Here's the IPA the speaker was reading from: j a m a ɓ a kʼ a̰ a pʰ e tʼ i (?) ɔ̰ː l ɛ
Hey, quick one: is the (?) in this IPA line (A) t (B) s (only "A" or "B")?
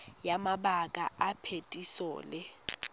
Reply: B